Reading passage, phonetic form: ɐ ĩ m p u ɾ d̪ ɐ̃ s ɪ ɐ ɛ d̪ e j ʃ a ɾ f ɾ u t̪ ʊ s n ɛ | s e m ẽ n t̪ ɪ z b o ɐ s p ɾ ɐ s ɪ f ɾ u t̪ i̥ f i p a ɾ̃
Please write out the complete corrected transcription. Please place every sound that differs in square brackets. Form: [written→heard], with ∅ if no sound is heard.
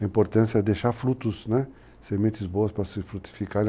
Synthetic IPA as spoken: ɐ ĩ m p [u→o] ɾ [d̪→t̪] ɐ̃ s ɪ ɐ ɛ d̪ e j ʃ a ɾ f ɾ u t̪ ʊ s n ɛ | s e m ẽ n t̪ ɪ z b o ɐ s p ɾ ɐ s ɪ f ɾ u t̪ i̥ f i [p→k] a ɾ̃